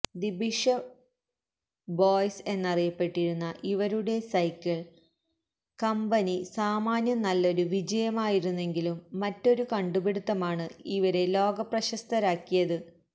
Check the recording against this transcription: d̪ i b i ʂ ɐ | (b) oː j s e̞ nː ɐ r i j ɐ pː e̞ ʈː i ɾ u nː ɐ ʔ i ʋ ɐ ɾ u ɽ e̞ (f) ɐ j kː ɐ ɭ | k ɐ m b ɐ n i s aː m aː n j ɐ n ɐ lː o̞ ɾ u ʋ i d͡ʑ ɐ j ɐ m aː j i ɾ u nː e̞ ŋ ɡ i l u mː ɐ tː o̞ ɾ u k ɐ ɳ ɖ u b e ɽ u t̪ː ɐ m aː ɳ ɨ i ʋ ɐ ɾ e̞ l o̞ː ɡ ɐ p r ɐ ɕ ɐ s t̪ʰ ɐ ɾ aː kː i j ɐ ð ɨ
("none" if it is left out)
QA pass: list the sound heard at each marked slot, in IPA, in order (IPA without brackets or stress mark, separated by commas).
b, s